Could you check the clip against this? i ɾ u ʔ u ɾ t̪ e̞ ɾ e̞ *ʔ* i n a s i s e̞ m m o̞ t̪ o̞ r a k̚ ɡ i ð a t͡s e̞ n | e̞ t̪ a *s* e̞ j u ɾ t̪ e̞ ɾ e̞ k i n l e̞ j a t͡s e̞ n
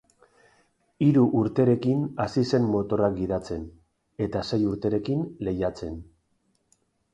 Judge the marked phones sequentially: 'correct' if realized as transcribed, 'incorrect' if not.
incorrect, correct

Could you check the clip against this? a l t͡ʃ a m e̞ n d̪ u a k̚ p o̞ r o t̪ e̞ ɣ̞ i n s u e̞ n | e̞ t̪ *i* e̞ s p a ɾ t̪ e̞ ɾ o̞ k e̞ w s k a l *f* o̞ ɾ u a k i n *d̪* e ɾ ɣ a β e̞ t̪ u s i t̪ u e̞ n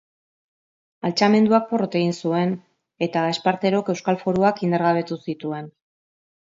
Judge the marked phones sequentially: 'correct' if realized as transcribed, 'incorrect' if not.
incorrect, correct, correct

